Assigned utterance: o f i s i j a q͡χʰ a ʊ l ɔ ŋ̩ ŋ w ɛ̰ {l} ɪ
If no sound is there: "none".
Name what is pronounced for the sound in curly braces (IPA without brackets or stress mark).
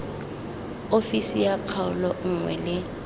l